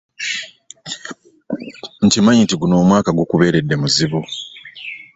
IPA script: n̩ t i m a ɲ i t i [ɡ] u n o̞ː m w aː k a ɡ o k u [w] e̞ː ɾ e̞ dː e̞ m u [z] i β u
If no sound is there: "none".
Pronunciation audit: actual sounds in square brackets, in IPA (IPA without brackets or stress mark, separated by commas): ɡ, β, z